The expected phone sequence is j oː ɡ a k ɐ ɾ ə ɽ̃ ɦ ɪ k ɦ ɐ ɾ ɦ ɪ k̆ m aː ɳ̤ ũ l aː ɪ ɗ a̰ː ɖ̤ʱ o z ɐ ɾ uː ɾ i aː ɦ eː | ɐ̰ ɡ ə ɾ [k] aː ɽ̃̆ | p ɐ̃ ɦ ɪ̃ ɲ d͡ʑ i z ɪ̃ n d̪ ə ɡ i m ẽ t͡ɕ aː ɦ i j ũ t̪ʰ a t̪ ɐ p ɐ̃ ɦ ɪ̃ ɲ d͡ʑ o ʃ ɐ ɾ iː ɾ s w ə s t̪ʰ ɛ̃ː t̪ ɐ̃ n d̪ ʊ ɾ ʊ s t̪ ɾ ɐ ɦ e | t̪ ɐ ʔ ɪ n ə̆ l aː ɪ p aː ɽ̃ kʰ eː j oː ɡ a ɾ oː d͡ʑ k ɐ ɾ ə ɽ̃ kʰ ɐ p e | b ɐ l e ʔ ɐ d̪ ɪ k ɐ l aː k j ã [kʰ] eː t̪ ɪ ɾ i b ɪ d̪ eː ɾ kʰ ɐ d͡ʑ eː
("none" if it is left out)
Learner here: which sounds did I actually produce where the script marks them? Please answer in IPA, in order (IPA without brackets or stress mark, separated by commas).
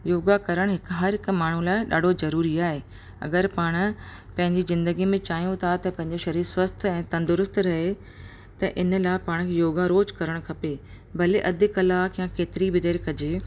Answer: p, k